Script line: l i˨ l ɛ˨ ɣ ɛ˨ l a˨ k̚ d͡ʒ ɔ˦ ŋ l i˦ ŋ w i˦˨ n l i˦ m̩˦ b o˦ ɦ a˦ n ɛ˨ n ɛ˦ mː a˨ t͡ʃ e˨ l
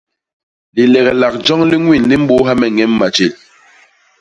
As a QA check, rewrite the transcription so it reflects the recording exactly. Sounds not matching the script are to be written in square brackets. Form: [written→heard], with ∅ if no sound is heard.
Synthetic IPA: l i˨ l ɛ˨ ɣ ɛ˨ l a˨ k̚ d͡ʒ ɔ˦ ŋ l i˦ ŋ w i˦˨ n l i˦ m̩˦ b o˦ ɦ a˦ [n→m] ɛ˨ [n→ŋ] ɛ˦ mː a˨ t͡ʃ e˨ l